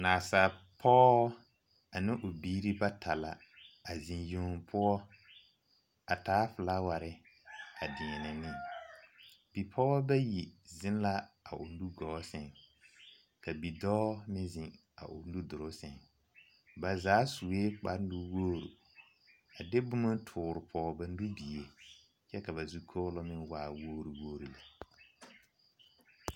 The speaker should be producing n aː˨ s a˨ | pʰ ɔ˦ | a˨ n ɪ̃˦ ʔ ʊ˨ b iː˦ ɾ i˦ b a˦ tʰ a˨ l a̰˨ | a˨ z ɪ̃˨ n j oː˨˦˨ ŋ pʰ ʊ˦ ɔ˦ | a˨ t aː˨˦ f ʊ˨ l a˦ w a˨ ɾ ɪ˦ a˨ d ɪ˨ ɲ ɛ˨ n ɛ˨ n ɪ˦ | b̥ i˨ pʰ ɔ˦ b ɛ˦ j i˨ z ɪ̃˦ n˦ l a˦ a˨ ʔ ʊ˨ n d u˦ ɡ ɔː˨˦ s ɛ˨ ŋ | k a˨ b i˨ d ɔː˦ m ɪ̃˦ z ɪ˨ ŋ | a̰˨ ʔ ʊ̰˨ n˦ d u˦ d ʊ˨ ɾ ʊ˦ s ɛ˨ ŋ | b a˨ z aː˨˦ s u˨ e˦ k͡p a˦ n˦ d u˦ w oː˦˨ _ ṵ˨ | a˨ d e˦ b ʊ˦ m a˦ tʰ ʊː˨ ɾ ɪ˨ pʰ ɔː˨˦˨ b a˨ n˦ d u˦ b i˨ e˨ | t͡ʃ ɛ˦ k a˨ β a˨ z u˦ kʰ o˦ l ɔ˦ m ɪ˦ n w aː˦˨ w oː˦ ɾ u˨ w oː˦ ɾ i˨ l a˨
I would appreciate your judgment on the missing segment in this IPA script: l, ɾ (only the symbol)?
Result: ɾ